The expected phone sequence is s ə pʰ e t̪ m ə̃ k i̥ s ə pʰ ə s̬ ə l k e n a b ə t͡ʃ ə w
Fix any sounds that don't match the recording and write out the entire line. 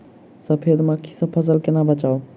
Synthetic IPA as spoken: s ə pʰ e d̪ m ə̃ k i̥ s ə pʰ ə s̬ ə l k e n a b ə t͡ʃ a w